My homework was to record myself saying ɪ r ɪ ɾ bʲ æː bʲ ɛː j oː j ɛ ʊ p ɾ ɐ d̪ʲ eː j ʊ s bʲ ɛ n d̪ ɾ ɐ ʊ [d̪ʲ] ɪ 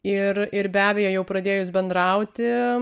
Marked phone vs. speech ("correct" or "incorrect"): incorrect